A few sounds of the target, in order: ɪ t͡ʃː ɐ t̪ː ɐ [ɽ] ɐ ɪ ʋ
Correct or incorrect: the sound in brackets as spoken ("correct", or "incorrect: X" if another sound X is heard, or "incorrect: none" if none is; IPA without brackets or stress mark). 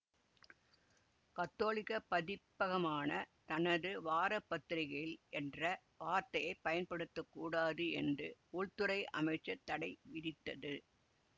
correct